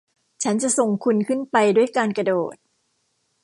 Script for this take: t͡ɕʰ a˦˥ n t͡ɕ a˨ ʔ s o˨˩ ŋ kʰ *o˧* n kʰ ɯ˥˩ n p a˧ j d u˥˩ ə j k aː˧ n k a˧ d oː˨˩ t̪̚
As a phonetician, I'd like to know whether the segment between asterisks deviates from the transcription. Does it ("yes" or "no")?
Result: yes